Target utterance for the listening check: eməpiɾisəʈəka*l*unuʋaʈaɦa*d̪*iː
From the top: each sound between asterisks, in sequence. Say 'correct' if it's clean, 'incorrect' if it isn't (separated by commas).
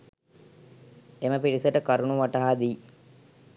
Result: incorrect, correct